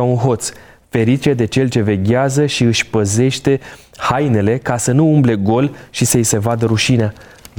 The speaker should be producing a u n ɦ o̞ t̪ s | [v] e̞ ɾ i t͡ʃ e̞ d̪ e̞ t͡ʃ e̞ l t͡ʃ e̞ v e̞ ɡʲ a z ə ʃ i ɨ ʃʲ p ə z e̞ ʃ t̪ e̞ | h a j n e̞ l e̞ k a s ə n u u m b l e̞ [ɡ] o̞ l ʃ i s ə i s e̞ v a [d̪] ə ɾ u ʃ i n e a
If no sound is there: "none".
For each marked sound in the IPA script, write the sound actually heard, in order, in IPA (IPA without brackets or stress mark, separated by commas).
f, ɡ, d̪